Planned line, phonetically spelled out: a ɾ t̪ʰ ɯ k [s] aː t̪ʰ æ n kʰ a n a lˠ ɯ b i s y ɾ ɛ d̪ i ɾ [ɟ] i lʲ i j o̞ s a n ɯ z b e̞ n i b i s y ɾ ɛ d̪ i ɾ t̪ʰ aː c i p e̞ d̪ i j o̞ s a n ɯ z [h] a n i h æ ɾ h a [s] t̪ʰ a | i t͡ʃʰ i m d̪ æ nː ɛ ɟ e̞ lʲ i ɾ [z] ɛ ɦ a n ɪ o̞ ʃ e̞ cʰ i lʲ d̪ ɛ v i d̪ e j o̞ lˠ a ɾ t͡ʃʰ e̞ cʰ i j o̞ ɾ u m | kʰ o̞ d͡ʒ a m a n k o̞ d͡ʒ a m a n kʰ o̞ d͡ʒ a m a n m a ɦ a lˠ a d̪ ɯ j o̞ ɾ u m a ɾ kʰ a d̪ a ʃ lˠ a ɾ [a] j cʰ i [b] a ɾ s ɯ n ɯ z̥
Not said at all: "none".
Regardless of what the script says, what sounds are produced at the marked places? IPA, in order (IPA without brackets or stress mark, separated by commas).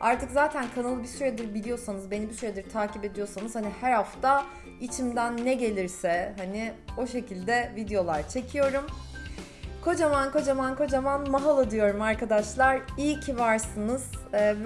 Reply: z, b, h, f, s, i, v